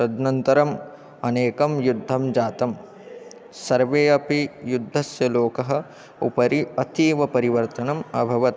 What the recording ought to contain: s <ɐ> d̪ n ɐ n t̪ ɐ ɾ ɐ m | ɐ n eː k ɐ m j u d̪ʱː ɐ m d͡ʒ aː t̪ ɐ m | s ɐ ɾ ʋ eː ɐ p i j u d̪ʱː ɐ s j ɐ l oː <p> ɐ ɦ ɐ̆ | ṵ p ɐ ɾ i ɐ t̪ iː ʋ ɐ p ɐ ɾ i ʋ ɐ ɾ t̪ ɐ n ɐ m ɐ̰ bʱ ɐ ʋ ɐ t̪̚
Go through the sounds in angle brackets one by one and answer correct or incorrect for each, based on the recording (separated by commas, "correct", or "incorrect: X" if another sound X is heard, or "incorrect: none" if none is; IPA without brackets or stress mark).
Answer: correct, incorrect: k